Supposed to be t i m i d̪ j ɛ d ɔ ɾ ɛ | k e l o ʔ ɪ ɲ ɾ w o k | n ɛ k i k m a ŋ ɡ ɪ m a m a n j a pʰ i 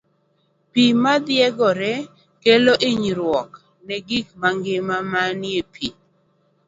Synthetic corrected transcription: p i m a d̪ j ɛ ɡ ɔ ɾ ɛ | k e l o ʔ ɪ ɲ ɾ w ɔ k | n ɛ ɡ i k m a ŋ ɡ ɪ m a m a n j e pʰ i

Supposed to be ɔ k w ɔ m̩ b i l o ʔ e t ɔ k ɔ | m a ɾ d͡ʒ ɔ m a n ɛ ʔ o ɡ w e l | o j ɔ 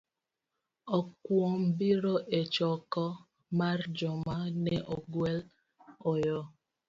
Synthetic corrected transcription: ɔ k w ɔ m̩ b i ɾ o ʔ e t͡ʃ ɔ k ɔ | m a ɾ d͡ʒ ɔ m a n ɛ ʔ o ɡ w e l | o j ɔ

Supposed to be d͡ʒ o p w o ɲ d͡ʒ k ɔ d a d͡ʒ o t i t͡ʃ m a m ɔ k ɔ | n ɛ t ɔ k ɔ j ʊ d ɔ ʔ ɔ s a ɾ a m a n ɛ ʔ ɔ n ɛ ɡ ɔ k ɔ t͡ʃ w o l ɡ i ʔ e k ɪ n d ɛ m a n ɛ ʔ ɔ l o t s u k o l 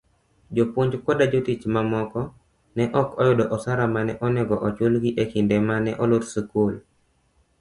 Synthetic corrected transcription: d͡ʒ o p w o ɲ d͡ʒ k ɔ d a d͡ʒ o t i t͡ʃ m a m ɔ k ɔ | n ɛ ʔ ɔ k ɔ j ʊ d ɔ ʔ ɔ s a ɾ a m a n ɛ ʔ ɔ n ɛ ɡ ɔ ʔ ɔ t͡ʃ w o l ɡ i ʔ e k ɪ n d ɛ m a n ɛ ʔ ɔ l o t s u k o l

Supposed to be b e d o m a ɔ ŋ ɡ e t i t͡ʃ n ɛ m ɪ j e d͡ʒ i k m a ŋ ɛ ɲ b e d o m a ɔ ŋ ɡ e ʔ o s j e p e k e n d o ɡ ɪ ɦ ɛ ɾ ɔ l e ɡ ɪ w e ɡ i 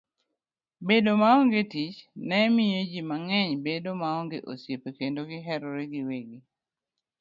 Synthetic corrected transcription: b e d o m a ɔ ŋ ɡ e t i t͡ʃ n ɛ m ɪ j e d͡ʒ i m a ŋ ɛ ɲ b e d o m a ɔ ŋ ɡ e ʔ o s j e p e k e n d o ɡ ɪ ɦ ɛ ɾ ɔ ɾ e ɡ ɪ w e ɡ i

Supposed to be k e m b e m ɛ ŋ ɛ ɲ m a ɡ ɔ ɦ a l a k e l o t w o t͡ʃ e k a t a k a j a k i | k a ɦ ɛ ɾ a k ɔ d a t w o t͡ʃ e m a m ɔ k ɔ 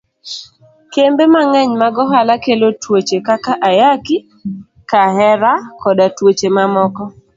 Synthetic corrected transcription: k e m b e m a ŋ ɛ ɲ m a ɡ ɔ ɦ a l a k e l o t w o t͡ʃ e k a k a ʔ a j a k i | k a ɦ ɛ ɾ a k ɔ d a t w o t͡ʃ e m a m ɔ k ɔ

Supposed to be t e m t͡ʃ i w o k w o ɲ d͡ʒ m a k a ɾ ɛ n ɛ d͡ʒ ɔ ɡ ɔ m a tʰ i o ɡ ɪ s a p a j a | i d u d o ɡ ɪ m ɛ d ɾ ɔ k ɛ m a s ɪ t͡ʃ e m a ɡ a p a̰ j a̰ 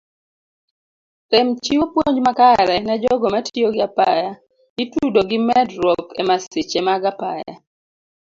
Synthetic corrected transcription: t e m t͡ʃ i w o p w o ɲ d͡ʒ m a k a ɾ ɛ n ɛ d͡ʒ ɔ ɡ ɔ m a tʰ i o ɡ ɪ a p a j a | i t u d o ɡ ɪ m ɛ d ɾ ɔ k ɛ m a s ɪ t͡ʃ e m a ɡ a p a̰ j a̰

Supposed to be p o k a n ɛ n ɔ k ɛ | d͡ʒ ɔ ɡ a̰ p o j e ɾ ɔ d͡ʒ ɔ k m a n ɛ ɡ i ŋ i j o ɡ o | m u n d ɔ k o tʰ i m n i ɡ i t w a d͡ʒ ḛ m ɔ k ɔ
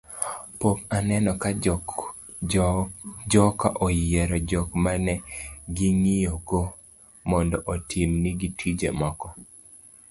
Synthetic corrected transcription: p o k a n ɛ n ɔ k a | d͡ʒ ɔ k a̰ ʔ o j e ɾ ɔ d͡ʒ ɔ k m a n ɛ ɡ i ŋ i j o ɡ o | m ɔ n d ɔ ʔ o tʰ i m n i ɡ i t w i d͡ʒ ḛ m ɔ k ɔ

